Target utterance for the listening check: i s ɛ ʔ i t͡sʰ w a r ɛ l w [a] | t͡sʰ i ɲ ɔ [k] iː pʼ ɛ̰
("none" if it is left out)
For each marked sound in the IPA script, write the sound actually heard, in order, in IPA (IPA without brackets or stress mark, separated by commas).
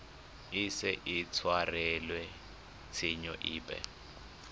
ɛ, ʔ